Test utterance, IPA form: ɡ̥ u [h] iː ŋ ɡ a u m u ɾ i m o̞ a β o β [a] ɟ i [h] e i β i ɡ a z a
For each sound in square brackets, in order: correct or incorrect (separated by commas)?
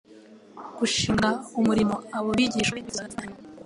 incorrect, incorrect, incorrect